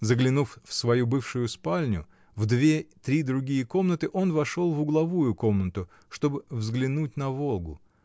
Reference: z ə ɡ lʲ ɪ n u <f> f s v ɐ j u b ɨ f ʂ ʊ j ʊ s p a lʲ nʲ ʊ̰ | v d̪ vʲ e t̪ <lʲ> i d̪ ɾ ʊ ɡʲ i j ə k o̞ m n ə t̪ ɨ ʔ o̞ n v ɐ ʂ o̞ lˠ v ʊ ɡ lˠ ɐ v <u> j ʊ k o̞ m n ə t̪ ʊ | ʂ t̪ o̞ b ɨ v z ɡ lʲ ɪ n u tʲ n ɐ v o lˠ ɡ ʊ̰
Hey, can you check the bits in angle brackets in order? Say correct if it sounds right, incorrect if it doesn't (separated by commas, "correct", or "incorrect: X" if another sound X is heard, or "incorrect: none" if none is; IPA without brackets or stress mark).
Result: correct, incorrect: ɾʲ, correct